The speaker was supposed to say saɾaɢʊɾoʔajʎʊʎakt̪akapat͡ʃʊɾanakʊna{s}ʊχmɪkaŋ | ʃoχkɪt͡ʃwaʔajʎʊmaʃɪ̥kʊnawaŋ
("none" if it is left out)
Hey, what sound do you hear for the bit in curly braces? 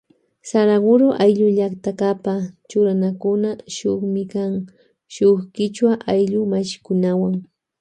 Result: ʃ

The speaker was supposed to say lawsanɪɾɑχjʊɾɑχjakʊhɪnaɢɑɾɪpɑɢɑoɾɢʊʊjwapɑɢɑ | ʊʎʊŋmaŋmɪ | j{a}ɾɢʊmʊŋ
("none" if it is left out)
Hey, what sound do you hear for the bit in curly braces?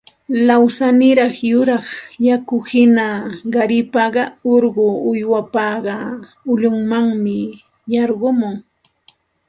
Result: ɑ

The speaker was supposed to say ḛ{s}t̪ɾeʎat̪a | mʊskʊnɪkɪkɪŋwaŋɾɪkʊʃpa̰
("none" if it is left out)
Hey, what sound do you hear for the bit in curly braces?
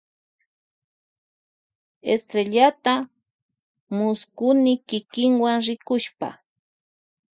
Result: s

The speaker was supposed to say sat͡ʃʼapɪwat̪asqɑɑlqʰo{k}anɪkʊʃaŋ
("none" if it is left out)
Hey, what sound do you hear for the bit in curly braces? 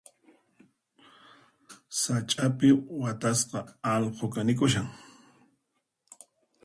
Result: k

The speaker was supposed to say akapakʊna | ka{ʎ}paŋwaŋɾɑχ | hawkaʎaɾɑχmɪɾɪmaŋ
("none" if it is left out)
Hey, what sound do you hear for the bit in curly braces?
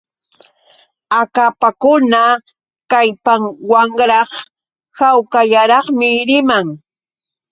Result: j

